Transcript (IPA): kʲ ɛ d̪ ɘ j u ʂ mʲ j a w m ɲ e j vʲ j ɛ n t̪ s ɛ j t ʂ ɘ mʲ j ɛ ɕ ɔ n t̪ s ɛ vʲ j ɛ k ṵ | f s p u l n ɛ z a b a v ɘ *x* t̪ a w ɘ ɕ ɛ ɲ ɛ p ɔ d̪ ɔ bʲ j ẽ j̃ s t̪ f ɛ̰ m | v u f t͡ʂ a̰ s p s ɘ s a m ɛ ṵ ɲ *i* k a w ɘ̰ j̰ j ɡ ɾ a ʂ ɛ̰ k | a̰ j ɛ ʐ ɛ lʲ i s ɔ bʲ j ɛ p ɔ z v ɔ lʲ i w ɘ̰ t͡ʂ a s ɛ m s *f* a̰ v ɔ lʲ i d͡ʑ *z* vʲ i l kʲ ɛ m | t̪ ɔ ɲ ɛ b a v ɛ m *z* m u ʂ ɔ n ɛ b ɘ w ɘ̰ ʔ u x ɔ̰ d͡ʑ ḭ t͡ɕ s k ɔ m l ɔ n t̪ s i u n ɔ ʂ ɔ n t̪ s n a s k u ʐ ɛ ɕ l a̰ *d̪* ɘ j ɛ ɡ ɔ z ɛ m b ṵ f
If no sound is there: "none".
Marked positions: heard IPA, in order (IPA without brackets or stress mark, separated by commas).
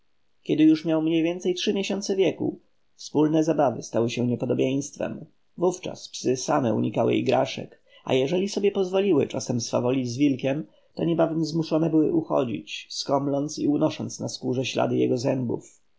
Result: s, i, f, z, z, d̪